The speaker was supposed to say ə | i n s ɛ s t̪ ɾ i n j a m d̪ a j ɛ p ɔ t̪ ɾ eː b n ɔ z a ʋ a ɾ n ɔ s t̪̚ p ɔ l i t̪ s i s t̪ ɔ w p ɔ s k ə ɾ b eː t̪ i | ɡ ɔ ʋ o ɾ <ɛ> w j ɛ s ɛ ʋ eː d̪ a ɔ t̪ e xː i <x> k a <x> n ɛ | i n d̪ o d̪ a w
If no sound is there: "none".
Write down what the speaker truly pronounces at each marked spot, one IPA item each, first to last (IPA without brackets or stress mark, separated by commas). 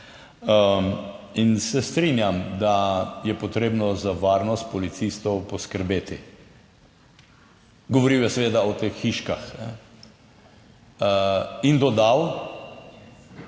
i, ʃ, x